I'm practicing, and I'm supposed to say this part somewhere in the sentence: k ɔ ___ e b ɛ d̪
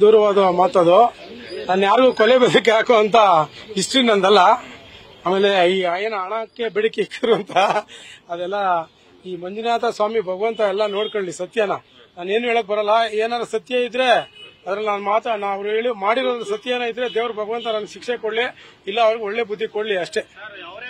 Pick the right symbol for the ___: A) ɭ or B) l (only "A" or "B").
B